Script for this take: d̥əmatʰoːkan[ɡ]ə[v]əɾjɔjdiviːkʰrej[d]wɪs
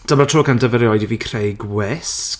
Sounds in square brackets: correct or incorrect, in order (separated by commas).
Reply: incorrect, correct, incorrect